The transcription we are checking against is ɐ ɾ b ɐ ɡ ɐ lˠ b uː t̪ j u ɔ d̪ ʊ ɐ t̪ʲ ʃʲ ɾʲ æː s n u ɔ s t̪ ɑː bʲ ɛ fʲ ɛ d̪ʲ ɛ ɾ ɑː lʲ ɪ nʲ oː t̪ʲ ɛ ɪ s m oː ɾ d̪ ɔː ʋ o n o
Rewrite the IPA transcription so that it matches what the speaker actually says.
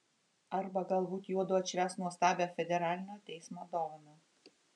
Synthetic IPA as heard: ɐ ɾ b ɐ ɡ ɐ lˠ b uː t̪ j u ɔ d̪ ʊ ɐ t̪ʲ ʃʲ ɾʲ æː s n u ɔ s t̪ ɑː bʲ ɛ fʲ ɛ d̪ʲ ɛ ɾ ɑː lʲ ɪ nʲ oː t̪ʲ ɛ ɪ s m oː d̪ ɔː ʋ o n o